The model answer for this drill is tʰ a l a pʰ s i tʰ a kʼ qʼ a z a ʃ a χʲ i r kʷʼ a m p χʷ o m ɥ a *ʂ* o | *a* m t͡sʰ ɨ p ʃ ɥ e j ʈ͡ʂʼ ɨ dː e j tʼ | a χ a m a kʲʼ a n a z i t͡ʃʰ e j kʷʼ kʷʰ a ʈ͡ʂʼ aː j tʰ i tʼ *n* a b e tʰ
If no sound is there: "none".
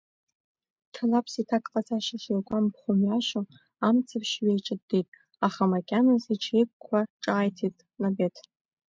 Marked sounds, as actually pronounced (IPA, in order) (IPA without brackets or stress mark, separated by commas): ʃ, a, n